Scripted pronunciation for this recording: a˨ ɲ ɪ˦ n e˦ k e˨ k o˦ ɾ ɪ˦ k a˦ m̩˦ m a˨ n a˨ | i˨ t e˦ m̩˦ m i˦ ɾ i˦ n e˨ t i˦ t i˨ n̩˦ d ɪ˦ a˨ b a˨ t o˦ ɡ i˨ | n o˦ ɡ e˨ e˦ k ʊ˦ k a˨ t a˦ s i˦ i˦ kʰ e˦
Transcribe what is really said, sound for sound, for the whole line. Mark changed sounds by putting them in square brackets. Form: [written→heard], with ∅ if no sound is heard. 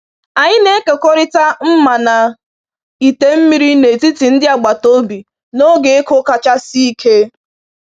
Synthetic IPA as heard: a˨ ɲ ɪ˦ n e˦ k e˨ k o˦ ɾ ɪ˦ [k→t] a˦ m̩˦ m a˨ n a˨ | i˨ t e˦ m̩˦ m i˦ ɾ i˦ n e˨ t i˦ t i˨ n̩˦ d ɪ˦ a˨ [b→ɡ͡b] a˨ t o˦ [ɡ→b] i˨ | n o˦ ɡ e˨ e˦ k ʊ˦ k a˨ [t→t͡ʃ] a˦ s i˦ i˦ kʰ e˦